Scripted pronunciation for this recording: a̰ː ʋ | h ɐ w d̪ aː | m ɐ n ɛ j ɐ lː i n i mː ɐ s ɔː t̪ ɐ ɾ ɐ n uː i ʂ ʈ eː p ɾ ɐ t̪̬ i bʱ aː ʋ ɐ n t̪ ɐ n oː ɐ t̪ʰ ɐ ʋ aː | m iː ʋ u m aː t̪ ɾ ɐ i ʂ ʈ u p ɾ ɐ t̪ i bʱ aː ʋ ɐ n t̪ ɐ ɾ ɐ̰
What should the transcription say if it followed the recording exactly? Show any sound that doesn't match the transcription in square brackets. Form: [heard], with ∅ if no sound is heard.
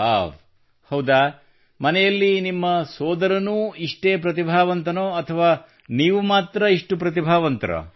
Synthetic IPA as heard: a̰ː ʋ | h ɐ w d̪ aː | m ɐ n ɛ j ɐ lː i n i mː ɐ s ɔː [d̪] ɐ ɾ ɐ n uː i ʂ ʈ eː p ɾ ɐ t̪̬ i bʱ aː ʋ ɐ n t̪ ɐ n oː ɐ t̪ʰ ɐ ʋ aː | [n] iː ʋ u m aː t̪ ɾ ɐ i ʂ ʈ u p ɾ ɐ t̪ i bʱ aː ʋ ɐ n t̪ ɐ ɾ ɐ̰